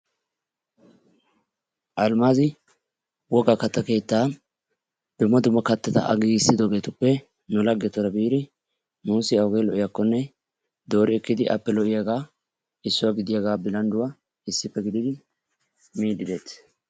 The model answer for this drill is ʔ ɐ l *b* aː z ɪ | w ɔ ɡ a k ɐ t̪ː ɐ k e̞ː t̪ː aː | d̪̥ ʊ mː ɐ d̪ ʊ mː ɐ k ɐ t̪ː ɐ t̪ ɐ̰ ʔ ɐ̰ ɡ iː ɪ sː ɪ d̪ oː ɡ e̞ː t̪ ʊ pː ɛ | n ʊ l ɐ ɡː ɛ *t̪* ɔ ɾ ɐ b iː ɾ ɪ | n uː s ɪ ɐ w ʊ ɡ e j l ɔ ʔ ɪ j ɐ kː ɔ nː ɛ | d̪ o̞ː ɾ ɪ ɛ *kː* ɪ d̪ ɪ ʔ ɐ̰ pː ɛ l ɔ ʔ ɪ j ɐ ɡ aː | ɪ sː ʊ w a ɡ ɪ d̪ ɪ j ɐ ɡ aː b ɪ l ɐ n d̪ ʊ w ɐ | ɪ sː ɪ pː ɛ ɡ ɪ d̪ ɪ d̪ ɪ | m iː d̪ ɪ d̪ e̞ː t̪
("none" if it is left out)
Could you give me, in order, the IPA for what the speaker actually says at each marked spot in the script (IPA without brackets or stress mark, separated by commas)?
m, t̪, kː